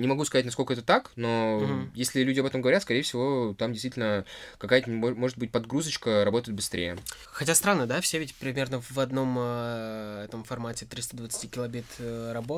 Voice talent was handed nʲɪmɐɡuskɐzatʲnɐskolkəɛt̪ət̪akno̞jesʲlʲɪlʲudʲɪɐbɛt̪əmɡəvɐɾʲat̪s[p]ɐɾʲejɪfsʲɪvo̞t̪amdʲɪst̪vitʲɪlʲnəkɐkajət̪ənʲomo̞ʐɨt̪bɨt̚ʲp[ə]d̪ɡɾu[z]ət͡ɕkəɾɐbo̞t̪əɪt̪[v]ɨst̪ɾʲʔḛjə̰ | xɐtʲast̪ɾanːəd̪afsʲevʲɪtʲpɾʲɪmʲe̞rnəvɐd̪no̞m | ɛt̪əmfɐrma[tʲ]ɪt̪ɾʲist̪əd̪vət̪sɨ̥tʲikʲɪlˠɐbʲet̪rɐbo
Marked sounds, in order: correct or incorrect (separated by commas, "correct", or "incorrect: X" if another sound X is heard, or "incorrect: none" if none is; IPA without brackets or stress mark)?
incorrect: k, incorrect: ɐ, correct, incorrect: b, correct